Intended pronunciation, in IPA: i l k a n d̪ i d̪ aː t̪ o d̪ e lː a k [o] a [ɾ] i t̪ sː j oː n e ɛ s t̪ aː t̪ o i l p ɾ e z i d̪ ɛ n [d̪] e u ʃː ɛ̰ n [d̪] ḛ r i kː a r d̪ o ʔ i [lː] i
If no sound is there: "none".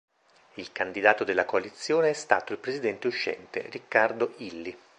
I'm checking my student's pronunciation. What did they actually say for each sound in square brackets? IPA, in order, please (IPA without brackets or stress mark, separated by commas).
o, l, t̪, t̪, lː